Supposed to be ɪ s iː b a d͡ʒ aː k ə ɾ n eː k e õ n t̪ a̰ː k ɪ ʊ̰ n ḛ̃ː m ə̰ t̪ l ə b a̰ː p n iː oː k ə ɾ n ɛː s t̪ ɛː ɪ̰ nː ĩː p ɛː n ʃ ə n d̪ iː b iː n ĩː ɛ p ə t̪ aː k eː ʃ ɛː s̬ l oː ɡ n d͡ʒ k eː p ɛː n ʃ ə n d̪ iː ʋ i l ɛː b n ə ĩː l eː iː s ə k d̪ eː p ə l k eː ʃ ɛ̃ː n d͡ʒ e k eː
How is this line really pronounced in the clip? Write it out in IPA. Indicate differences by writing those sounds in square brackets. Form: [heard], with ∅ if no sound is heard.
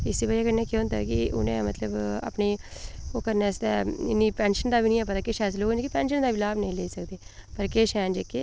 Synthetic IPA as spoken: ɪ s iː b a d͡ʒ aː k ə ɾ n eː k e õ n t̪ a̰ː k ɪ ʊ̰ n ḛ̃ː m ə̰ t̪ l ə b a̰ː p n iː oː k ə ɾ n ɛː s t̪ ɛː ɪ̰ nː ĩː p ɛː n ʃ ə n d̪ [aː] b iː n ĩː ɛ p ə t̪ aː k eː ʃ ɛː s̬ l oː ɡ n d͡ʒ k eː p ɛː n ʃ ə n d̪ [aː] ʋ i l [aː] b n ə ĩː l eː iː s ə k d̪ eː p ə [ɾ] k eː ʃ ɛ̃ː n d͡ʒ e k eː